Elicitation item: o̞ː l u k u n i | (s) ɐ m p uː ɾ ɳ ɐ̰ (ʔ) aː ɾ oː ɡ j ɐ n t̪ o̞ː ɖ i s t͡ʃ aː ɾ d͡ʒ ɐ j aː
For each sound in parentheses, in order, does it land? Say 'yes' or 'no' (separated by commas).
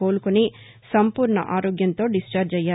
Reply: yes, yes